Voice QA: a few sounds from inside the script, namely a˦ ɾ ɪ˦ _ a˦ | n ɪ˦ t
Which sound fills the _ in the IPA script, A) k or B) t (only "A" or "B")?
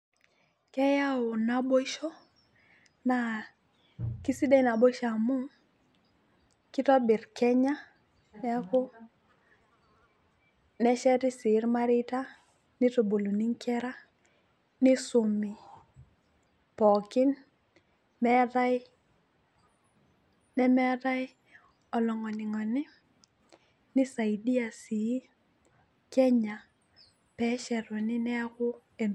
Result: B